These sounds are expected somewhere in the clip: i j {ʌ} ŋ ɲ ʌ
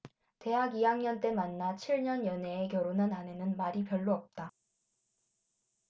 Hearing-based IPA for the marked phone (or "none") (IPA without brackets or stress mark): a